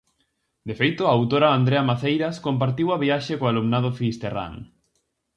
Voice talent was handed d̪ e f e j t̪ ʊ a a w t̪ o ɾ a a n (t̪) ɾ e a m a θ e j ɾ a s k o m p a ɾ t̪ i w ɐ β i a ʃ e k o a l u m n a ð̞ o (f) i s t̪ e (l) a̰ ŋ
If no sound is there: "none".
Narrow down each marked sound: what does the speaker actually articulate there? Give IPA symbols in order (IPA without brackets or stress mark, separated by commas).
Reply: d̪, f, r